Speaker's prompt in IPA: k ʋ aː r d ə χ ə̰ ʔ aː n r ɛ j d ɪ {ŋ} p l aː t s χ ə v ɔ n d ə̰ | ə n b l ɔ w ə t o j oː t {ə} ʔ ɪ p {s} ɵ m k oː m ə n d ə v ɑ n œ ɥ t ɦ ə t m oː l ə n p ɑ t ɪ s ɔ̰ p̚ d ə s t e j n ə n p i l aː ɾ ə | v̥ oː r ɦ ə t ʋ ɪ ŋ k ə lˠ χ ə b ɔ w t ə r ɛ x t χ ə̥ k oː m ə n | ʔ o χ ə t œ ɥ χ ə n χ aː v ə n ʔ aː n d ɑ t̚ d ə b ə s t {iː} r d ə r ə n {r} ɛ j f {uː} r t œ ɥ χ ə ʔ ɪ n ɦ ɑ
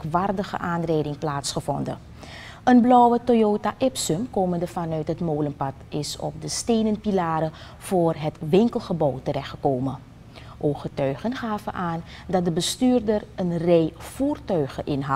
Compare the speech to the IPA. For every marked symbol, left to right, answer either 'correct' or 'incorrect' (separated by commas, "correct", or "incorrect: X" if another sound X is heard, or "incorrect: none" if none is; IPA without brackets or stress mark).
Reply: correct, incorrect: a, correct, incorrect: yː, correct, correct